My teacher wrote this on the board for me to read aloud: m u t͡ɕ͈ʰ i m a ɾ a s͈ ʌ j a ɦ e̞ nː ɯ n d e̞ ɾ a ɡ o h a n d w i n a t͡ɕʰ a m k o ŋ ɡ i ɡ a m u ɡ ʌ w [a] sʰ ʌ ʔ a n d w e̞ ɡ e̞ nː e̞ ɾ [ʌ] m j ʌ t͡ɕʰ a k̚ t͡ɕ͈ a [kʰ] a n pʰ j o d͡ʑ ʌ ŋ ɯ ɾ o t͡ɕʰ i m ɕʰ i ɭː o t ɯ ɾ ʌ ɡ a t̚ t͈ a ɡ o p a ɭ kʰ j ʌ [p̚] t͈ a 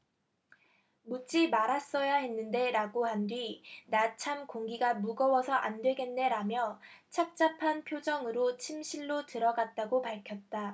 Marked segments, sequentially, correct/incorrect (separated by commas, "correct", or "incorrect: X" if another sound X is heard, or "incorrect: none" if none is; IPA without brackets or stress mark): incorrect: ʌ, incorrect: a, incorrect: pʰ, incorrect: t̚